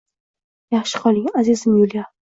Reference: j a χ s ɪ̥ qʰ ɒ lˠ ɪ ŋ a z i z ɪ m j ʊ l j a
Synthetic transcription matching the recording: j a χ ʃ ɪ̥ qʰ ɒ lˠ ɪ ŋ a z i z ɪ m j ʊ l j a

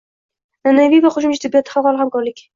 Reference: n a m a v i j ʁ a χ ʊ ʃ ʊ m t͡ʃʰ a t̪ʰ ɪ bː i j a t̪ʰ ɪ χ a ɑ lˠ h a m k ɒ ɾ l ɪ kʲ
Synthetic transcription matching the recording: n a n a v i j v a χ ʊ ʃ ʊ m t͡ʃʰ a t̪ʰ ɪ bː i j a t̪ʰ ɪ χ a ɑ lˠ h a m k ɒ ɾ l ɪ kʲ

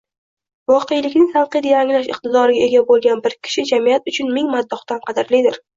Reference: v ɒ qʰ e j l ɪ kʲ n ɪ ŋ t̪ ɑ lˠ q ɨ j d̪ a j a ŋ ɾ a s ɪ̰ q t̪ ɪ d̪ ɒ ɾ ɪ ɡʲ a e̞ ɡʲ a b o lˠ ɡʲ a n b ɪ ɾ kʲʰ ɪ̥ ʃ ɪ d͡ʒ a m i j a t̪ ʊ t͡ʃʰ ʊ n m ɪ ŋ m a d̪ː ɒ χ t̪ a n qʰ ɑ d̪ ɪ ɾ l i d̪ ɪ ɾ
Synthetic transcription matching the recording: v ɒ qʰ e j l ɪ kʲ n ɪ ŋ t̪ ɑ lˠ q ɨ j d̪ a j a ŋ l a ʃ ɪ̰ q t̪ ɪ d̪ ɒ ɾ ɪ ɡʲ a e̞ ɡʲ a b o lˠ ɡʲ a n b ɪ ɾ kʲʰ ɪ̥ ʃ ɪ d͡ʒ a m i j a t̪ ʊ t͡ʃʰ ʊ n m ɪ ŋ m a d̪ː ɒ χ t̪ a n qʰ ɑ d̪ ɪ ɾ l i d̪ ɪ ɾ

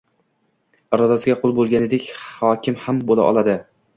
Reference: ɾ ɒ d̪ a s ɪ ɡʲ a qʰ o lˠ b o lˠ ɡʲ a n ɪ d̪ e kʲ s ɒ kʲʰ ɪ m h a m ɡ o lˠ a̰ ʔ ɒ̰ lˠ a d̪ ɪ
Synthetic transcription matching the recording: ɾ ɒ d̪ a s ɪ ɡʲ a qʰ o lˠ b o lˠ ɡʲ a n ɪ d̪ e kʲ h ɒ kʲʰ ɪ m h a m b o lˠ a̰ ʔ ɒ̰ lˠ a d̪ ɪ

